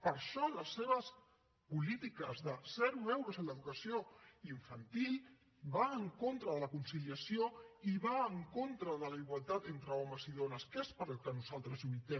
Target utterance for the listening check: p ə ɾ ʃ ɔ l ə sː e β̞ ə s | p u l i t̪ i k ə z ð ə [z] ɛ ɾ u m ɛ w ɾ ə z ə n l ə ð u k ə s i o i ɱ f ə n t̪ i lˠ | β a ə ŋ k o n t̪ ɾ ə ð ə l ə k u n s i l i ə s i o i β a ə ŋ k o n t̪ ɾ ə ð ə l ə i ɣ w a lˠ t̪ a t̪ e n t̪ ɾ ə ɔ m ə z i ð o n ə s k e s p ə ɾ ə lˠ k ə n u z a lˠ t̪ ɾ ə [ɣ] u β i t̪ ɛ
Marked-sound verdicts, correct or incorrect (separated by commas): incorrect, incorrect